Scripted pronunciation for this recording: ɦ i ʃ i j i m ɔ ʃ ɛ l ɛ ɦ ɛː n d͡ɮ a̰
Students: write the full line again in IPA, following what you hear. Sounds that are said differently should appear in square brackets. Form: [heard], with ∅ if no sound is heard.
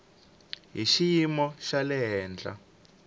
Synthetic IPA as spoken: ɦ i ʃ i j i m ɔ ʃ [a] l ɛ ɦ ɛː n d͡ɮ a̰